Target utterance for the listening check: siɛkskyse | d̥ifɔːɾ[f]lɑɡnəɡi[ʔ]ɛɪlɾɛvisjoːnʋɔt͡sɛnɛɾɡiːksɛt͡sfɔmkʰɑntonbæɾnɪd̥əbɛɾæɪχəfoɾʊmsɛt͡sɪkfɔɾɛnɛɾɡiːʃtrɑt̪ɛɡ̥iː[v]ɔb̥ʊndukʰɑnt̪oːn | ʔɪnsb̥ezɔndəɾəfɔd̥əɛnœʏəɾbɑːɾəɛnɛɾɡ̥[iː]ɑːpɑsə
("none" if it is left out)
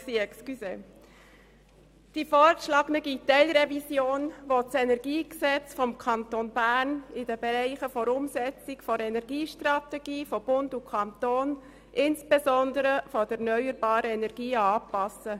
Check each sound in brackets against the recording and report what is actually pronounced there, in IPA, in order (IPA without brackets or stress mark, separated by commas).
ʃ, t, f, iː